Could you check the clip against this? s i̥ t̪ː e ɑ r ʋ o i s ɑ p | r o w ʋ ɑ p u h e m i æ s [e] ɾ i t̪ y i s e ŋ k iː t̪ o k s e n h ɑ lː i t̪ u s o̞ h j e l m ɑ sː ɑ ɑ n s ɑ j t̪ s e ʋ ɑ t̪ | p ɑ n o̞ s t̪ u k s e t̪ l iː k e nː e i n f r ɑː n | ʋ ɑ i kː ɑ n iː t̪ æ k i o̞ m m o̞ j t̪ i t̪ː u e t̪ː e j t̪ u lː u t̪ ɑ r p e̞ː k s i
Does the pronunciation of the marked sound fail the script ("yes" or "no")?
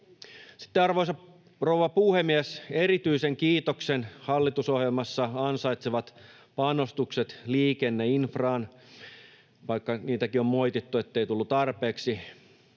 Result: no